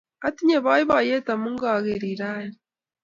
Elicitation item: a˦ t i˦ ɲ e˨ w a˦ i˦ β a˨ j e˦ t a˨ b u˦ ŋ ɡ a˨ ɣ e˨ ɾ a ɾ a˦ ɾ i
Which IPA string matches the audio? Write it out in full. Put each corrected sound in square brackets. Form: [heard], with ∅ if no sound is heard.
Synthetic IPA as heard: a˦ t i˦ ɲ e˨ [β] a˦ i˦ β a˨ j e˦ t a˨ [m] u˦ ŋ ɡ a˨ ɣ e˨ ɾ [i] ɾ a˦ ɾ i